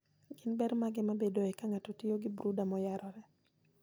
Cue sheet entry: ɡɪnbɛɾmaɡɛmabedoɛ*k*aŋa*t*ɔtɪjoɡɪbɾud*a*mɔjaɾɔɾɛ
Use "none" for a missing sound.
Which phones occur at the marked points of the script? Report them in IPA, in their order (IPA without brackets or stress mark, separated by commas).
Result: k, t, a